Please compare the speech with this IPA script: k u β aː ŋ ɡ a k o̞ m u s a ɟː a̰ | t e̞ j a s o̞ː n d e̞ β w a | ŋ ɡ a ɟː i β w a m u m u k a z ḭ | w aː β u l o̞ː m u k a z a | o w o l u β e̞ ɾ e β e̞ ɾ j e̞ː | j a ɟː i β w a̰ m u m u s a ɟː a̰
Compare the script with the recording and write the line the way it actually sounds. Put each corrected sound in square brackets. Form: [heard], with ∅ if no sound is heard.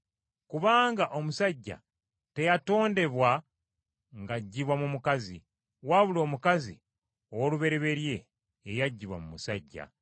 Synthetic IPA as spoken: k u β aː ŋ ɡ a [ʔ] o̞ m u s a ɟː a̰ | t e̞ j a [t] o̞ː n d e̞ β w a | ŋ ɡ a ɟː i β w a m u m u k a z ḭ | w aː β u l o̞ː m u k a z [i] | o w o l u β e̞ ɾ e β e̞ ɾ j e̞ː | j a ɟː i β w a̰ m u m u s a ɟː a̰